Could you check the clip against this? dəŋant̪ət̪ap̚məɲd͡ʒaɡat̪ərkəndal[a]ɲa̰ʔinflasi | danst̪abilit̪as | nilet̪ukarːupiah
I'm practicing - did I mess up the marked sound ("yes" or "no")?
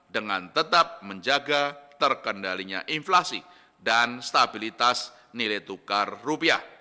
yes